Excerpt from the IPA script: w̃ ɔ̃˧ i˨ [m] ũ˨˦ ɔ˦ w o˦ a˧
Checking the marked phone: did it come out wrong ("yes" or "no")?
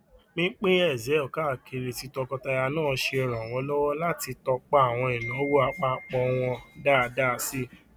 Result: yes